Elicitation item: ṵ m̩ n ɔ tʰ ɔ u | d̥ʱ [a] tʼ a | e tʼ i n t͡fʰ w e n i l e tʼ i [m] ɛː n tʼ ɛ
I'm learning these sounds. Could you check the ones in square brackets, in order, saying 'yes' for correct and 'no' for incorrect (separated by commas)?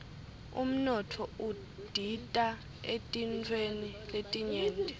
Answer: no, no